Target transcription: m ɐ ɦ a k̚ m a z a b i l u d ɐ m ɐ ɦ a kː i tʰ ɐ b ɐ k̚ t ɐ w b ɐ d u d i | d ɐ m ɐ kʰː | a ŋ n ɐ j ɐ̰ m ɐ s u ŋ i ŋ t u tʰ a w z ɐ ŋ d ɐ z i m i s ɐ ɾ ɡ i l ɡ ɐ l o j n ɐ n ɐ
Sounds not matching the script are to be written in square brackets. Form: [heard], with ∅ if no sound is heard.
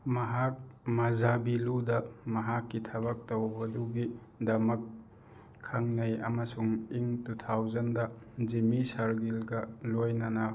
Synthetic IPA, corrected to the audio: m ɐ ɦ a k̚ m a z a b i l u d ɐ m ɐ ɦ a kː i tʰ ɐ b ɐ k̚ t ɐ w b ɐ d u [ɡ] i | d ɐ m ɐ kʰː | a ŋ n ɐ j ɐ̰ m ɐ s u ŋ i ŋ t u tʰ a w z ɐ [n] d ɐ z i m i s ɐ ɾ ɡ i l ɡ ɐ l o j n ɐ n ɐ